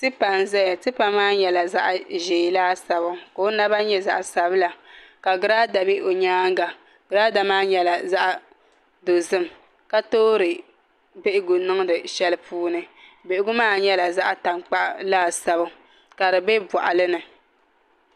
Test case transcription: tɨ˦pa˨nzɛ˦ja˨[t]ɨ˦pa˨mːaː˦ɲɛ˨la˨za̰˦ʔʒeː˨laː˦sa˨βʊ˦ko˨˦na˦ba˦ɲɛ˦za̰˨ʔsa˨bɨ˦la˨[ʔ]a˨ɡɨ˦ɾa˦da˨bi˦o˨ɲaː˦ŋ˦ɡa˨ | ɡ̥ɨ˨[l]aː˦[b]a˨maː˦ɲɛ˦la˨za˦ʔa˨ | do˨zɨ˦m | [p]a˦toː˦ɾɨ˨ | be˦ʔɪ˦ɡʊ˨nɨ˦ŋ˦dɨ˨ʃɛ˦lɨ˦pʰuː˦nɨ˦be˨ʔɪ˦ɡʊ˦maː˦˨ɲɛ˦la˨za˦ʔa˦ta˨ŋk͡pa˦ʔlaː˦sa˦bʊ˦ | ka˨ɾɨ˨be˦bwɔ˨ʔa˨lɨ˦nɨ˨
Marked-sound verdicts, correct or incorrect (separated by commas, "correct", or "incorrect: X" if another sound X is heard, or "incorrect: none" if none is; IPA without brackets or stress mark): correct, incorrect: k, incorrect: ɾ, incorrect: d, incorrect: k